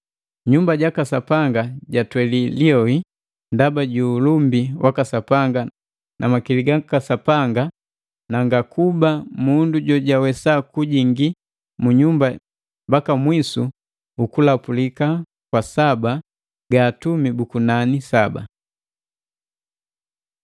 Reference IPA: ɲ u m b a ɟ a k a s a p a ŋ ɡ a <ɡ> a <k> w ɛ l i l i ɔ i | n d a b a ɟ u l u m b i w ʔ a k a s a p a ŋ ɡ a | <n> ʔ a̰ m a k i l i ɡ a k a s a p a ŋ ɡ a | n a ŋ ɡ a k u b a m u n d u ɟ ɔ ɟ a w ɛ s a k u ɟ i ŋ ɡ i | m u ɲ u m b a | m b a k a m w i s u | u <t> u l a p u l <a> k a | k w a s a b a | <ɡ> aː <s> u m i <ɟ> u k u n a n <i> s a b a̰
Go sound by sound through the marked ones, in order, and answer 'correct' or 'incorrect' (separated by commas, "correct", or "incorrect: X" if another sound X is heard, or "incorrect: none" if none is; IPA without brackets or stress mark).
incorrect: ɟ, incorrect: t, correct, incorrect: k, incorrect: i, correct, incorrect: t, incorrect: b, correct